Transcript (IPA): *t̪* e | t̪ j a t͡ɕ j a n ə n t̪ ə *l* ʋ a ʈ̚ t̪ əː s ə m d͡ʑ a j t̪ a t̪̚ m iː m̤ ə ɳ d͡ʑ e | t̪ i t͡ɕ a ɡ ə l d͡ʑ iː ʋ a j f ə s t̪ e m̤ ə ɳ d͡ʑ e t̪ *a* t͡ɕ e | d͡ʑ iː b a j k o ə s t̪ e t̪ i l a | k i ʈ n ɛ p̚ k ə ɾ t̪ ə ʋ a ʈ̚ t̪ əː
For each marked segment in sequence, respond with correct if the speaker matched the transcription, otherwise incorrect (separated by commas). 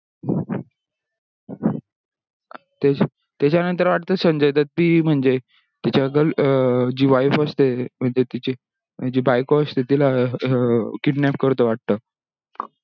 correct, incorrect, incorrect